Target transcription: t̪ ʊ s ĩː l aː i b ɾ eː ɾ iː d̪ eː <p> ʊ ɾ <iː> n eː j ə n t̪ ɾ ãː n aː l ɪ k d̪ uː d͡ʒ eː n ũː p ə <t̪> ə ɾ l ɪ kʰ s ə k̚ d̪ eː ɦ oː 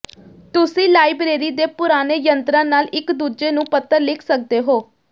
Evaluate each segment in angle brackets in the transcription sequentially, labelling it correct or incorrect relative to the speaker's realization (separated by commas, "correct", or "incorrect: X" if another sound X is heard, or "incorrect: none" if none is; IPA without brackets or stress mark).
correct, incorrect: aː, correct